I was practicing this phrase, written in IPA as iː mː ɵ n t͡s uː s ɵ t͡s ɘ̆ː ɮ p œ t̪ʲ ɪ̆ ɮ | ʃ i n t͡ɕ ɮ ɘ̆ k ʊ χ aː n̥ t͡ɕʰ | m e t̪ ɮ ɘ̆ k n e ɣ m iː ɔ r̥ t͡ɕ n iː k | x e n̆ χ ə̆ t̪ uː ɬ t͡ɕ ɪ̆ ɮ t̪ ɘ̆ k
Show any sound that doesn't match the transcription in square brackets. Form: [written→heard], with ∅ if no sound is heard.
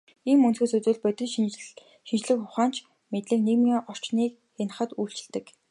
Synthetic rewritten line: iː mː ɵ n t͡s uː s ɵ t͡s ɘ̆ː ɮ p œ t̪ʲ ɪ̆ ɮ | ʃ i n t͡ɕ ɮ ɘ̆ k ʊ χ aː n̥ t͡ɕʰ | m e t̪ ɮ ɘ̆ k n e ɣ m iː ɔ r̥ t͡ɕ n iː k | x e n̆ χ ə̆ t̪ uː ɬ t͡ɕ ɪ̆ ɮ t̪ ɘ̆ k

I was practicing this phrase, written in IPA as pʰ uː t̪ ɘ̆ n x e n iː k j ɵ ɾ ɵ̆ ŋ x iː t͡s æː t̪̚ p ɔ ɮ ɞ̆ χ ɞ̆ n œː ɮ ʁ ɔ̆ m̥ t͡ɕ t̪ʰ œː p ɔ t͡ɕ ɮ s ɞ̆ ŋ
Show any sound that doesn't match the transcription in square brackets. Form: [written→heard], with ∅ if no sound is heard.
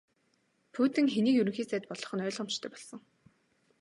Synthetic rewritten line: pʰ uː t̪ ɘ̆ [n→ŋ] x e n iː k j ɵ ɾ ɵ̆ ŋ x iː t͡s æː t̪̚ p ɔ ɮ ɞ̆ χ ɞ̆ n œː ɮ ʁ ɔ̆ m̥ t͡ɕ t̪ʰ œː p ɔ [t͡ɕ→∅] ɮ s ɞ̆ ŋ

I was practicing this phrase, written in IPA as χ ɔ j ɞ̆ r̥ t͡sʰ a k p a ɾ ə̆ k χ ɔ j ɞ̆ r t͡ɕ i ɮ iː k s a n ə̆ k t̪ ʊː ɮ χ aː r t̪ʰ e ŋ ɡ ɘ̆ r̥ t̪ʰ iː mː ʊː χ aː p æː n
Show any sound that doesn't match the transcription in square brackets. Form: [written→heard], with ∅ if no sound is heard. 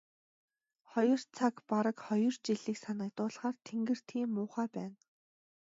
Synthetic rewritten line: χ ɔ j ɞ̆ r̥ t͡sʰ a k p a ɾ ə̆ k χ ɔ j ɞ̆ r t͡ɕ i ɮ iː k s a n ə̆ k t̪ ʊː ɮ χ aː r t̪ʰ e ŋ ɡ ɘ̆ r̥ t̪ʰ iː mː ʊː χ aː p æː n

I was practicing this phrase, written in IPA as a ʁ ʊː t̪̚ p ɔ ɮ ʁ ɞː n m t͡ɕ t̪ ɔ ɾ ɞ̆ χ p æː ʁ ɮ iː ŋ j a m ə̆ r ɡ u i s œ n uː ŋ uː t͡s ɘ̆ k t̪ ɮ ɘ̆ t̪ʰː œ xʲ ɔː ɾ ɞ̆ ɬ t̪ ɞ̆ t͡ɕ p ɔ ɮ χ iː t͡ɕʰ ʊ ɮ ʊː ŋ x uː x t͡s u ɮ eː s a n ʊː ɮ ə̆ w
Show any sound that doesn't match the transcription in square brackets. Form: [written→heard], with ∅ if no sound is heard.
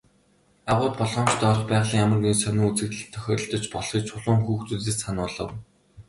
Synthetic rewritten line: a ʁ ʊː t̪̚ p ɔ ɮ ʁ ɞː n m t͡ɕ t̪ ɔ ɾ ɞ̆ χ p æː ʁ ɮ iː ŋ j a m ə̆ r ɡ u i s œ n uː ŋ [uː→u] t͡s ɘ̆ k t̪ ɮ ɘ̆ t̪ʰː œ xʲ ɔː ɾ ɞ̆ ɬ t̪ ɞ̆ t͡ɕ p ɔ ɮ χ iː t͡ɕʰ ʊ ɮ ʊː ŋ x uː x t͡s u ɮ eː s a n ʊː ɮ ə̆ w

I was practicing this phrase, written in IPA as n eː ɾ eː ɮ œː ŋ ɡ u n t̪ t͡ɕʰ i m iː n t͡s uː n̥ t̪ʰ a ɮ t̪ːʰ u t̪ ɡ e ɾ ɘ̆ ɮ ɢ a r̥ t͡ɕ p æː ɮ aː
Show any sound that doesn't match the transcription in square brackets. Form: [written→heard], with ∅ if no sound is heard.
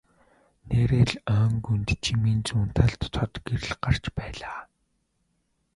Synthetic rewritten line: n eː ɾ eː ɮ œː ŋ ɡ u n t̪ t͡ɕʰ i m iː n t͡s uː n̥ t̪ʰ a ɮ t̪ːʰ [u→ɔ] t̪ ɡ e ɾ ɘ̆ ɮ ɢ a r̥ t͡ɕ p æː ɮ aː

